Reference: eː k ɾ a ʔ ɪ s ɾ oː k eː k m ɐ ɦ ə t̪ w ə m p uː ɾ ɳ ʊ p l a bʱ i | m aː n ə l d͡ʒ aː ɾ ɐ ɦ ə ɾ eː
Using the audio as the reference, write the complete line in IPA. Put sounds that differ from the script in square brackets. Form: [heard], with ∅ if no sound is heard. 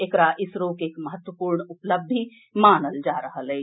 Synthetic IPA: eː k ɾ a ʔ ɪ s ɾ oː k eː k m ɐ ɦ ə t̪ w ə [∅] p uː ɾ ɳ ʊ p l [ə] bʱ i | m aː n ə l d͡ʒ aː ɾ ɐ ɦ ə [l] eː